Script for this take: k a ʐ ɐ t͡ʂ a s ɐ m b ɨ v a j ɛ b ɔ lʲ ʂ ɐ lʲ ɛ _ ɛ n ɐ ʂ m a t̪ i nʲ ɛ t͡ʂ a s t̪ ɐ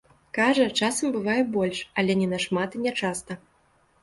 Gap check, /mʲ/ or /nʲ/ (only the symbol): nʲ